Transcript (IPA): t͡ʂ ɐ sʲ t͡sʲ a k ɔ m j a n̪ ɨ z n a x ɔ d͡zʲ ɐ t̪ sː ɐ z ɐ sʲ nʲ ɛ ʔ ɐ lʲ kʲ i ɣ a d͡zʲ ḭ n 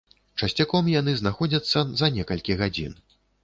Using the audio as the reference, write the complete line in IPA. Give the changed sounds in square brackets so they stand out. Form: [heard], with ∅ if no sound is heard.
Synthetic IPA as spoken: t͡ʂ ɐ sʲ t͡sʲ a k ɔ m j a n̪ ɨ z n a x ɔ d͡zʲ ɐ t̪ sː ɐ z ɐ [∅] nʲ ɛ [k] ɐ lʲ kʲ i ɣ a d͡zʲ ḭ n